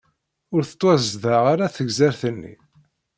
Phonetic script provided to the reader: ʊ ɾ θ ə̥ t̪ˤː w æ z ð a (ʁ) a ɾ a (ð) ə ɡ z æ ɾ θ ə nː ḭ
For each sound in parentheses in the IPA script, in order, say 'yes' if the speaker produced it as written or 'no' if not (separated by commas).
yes, no